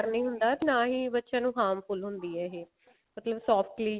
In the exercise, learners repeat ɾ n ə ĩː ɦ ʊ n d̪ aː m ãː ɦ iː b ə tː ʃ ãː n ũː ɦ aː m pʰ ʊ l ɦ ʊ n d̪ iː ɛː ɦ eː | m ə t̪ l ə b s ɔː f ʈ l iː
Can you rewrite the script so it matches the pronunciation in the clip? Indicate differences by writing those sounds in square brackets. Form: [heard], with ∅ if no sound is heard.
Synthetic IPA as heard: ɾ n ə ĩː ɦ ʊ n d̪ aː [n] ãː ɦ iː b ə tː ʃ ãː n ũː ɦ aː m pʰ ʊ l ɦ ʊ n d̪ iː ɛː ɦ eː | m ə t̪ l ə b s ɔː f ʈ l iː